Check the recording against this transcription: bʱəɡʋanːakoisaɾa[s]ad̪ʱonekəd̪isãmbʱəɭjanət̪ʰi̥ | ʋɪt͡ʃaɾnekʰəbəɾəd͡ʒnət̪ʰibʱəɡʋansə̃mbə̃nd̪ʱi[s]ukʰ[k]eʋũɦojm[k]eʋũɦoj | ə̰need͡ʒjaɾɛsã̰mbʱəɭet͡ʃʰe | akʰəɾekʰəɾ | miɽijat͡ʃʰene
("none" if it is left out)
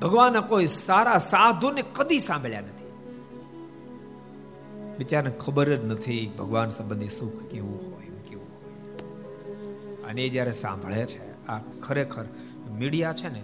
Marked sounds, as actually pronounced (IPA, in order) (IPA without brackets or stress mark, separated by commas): s, s, k, k